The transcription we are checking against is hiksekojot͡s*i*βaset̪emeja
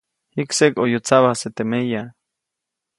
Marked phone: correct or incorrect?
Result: incorrect